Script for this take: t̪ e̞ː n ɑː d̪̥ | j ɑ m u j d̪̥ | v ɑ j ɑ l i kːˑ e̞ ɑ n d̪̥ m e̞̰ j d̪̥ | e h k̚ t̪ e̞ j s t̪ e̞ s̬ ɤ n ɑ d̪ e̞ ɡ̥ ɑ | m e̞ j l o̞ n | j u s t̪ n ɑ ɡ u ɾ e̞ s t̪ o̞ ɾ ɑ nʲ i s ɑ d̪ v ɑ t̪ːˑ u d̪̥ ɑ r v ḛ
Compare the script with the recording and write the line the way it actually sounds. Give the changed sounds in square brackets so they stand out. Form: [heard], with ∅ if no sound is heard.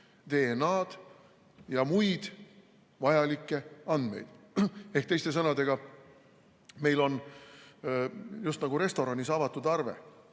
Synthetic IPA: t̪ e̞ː n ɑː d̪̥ | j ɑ m u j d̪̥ | v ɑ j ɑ l i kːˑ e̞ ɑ n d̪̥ m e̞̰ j d̪̥ | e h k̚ t̪ e̞ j s t̪ e̞ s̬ ɤ n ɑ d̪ e̞ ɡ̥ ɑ | m e̞ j l o̞ n | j u s t̪ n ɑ ɡ u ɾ e̞ s t̪ o̞ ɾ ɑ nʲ i s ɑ [∅] v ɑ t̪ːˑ u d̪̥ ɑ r v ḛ